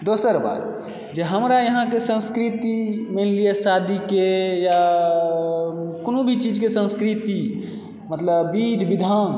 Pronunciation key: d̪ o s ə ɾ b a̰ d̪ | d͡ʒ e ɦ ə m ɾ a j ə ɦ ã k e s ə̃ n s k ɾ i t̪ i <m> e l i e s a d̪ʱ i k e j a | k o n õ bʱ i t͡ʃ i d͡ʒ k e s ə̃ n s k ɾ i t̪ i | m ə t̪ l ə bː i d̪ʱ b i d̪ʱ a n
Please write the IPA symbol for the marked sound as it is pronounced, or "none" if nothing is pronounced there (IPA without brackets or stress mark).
m